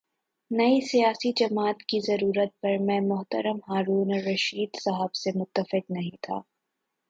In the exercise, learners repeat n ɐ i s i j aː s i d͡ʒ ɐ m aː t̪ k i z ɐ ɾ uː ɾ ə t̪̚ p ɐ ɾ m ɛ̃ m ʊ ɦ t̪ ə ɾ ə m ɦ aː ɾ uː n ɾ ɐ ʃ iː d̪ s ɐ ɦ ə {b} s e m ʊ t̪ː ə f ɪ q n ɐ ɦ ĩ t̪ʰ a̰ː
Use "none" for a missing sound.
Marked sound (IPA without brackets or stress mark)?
b